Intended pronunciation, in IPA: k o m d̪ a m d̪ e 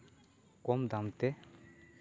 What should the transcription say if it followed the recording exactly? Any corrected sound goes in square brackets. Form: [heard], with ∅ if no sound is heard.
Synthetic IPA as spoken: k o m d̪ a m [t̪] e

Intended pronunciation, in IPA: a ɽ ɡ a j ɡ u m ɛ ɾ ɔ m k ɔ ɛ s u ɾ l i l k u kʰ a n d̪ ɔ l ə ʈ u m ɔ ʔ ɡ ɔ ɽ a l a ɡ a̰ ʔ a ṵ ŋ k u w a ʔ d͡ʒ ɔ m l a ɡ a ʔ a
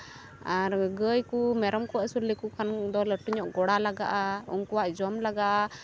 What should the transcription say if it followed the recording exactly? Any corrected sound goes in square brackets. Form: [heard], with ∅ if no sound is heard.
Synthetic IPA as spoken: a [ɾ] ɡ [ə] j [k] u m ɛ ɾ ɔ m k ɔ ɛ s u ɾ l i [∅] k u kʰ a n d̪ ɔ l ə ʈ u [ɲ] ɔ ʔ ɡ ɔ ɽ a l a ɡ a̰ ʔ a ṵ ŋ k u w a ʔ d͡ʒ ɔ m l a ɡ a ʔ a

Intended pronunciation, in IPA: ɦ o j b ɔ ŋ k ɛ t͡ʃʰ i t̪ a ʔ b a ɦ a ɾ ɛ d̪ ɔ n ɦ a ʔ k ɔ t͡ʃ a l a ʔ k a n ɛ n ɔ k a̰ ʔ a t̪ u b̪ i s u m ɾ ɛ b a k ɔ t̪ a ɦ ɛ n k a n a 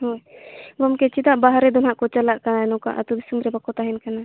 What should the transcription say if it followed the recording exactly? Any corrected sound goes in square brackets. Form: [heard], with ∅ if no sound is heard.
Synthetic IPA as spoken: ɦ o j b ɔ [m] k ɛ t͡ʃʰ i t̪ a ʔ b a ɦ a ɾ ɛ d̪ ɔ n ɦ a ʔ k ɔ t͡ʃ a l a ʔ k a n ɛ n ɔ k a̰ ʔ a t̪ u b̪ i s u m ɾ ɛ b a k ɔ t̪ a ɦ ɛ n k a n a

